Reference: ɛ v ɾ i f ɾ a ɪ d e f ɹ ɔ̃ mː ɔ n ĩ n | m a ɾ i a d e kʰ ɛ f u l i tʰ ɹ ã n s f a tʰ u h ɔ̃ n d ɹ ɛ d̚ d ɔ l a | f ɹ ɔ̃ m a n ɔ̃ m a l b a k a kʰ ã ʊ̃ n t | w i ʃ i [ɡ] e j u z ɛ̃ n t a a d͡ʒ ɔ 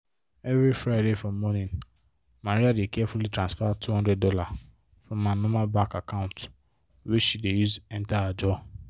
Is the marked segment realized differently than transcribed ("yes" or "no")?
yes